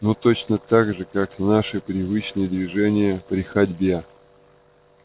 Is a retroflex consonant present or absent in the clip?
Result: present